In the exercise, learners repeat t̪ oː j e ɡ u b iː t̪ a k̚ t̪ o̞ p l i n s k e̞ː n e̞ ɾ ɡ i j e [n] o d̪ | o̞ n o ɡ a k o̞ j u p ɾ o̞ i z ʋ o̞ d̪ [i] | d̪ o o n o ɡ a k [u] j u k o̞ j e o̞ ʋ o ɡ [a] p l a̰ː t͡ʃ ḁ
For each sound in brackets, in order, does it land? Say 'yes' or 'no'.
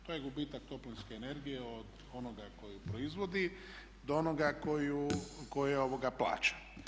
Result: no, yes, no, yes

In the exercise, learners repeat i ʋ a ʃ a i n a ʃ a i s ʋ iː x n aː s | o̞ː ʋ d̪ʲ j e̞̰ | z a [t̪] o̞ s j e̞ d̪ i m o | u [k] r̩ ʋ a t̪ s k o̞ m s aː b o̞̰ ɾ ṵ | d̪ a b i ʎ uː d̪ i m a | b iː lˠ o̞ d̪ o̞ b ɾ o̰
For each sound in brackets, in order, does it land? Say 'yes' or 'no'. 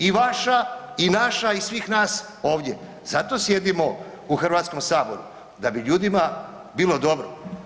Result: yes, no

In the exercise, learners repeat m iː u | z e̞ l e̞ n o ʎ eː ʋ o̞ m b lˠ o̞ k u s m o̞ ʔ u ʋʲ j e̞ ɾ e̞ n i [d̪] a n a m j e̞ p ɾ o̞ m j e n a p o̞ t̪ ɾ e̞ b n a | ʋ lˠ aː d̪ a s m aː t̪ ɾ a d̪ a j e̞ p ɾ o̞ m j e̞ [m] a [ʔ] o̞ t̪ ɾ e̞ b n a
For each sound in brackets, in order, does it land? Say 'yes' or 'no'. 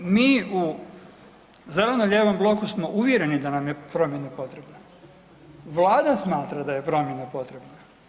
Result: yes, no, no

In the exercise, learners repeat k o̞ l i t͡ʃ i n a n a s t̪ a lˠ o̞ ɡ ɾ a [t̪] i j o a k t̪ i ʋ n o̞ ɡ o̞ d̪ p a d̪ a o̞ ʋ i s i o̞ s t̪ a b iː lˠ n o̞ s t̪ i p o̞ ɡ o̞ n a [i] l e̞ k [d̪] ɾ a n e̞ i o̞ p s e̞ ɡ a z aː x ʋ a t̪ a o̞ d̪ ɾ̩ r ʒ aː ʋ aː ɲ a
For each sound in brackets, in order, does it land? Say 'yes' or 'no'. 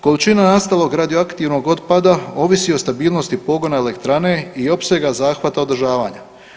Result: no, no, no

